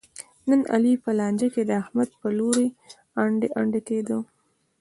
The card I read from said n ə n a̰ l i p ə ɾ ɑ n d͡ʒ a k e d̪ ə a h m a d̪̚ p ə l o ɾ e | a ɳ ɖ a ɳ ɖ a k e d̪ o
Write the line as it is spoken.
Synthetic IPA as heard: n ə n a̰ l i p ə l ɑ n d͡ʒ a k e d̪ ə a h m a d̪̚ p ə l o ɾ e | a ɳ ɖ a ɳ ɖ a k e d̪ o